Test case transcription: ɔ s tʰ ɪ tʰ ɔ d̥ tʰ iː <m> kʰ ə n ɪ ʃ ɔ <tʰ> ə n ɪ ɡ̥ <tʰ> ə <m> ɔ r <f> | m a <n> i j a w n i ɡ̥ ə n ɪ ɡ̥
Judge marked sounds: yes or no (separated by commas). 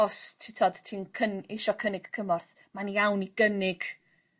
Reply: no, no, no, yes, no, yes